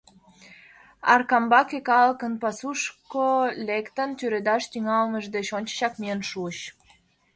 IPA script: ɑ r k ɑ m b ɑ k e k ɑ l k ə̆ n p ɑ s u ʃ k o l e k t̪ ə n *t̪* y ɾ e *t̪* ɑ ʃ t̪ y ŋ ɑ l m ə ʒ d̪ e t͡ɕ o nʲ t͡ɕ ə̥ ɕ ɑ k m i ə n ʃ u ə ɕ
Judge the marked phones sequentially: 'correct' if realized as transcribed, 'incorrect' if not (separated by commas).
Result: correct, incorrect